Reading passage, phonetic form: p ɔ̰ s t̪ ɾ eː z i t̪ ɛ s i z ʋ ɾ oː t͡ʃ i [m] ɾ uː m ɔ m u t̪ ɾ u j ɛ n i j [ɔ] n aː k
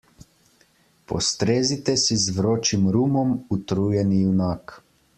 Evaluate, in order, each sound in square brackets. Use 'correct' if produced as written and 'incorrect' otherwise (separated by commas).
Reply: correct, incorrect